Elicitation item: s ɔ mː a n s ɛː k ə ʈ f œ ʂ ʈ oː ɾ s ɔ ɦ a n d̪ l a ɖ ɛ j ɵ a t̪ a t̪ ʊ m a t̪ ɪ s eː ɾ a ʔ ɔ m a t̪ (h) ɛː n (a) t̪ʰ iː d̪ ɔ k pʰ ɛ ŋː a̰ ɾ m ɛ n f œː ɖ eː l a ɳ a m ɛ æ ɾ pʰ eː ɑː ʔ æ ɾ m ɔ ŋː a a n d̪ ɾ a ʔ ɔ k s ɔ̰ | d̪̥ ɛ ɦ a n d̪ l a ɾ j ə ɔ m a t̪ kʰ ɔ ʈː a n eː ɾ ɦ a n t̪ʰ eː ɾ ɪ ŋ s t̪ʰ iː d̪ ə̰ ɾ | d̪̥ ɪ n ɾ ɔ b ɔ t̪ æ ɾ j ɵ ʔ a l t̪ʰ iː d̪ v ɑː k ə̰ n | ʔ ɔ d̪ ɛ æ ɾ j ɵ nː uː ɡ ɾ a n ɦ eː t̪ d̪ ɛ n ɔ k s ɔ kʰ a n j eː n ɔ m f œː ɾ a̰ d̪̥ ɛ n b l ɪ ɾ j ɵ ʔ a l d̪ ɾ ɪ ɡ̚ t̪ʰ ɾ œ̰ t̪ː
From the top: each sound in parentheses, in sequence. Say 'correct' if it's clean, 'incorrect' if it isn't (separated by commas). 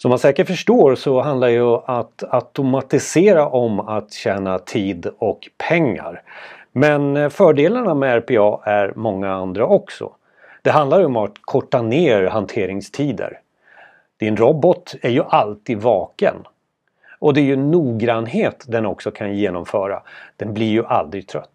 incorrect, correct